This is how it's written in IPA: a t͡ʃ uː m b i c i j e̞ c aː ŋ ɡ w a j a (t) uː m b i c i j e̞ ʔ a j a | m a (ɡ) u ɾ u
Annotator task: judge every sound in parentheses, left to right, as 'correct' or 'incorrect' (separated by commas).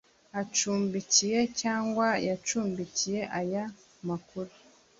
incorrect, incorrect